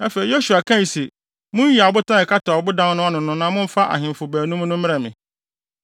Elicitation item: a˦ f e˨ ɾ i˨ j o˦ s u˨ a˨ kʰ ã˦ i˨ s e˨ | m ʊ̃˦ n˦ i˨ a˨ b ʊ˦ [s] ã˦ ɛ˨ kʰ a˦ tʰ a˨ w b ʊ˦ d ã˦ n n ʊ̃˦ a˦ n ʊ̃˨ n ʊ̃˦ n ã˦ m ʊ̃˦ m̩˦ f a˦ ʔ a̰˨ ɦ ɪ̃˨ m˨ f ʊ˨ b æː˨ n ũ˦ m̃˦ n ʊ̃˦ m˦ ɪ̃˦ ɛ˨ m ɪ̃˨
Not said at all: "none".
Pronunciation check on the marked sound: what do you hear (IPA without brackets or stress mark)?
t